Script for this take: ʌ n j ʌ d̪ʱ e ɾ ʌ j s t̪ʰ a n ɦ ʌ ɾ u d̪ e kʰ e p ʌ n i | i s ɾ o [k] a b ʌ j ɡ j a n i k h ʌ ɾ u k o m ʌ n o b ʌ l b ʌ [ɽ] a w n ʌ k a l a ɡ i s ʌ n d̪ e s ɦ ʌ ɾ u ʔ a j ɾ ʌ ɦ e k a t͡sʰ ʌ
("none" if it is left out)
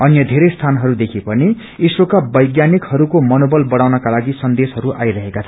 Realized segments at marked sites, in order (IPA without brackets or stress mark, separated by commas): k, ɽ